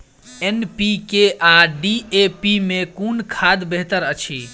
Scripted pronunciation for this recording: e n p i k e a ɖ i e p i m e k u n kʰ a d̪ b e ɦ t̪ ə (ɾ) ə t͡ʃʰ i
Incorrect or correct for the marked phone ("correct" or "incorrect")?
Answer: correct